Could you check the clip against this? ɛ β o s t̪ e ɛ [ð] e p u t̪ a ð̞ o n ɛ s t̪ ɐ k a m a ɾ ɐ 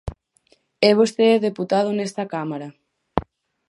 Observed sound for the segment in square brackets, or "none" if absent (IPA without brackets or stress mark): ð